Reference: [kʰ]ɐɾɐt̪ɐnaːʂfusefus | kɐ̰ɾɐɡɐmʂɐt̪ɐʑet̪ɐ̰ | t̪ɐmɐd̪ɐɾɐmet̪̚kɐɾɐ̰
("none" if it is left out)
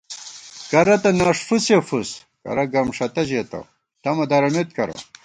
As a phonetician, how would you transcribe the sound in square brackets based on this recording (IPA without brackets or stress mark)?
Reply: k